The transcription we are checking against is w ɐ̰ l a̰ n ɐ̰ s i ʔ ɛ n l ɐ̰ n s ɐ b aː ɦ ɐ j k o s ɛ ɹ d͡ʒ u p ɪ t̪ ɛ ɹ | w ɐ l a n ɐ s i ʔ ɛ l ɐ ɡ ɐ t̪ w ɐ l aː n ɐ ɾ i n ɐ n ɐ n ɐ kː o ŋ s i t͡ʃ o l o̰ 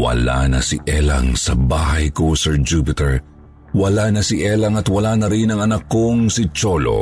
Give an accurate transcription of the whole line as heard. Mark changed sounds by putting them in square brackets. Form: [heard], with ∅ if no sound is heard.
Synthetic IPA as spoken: w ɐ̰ l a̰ n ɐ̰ s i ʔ ɛ [∅] l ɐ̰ [ŋ] s ɐ b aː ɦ ɐ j k o s ɛ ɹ d͡ʒ u p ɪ t̪ ɛ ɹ | w ɐ l a n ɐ s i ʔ ɛ l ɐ [ŋ] ɐ t̪ w ɐ l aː n ɐ ɾ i n ɐ [ŋ] ɐ n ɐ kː o ŋ s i t͡ʃ o l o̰